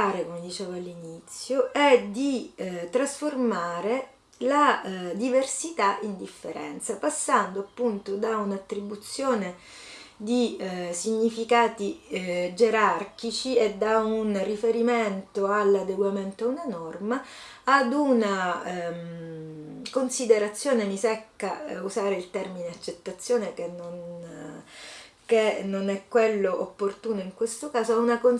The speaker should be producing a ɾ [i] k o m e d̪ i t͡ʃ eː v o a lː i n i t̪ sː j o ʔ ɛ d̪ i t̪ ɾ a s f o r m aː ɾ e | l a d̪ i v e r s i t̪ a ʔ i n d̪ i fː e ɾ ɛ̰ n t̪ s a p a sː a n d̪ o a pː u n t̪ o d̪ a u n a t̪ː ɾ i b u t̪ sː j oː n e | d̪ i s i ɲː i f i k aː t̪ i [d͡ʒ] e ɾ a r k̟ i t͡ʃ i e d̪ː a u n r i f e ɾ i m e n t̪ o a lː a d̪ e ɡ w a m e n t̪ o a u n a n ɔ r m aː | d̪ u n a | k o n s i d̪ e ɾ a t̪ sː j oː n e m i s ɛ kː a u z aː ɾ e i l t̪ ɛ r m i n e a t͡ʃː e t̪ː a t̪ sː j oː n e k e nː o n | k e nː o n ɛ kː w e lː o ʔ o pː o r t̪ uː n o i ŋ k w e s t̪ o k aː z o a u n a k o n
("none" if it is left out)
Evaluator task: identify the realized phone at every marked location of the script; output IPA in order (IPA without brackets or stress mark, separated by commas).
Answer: e, d͡ʒ